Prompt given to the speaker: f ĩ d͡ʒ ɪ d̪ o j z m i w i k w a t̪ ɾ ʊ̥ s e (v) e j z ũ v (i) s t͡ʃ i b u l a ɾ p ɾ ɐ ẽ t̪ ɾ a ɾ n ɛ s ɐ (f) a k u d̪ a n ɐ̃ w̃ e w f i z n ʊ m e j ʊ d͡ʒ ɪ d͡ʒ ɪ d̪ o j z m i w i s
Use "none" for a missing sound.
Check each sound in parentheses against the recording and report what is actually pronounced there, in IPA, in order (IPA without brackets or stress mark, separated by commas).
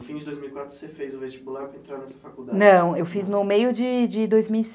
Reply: f, e, f